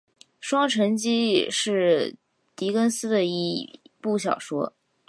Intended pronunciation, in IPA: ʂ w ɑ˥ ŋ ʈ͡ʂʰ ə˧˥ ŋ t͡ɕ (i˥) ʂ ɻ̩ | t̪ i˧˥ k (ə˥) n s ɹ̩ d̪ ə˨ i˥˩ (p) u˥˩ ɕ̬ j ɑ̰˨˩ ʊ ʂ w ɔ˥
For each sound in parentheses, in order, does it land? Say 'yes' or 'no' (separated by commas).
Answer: yes, yes, yes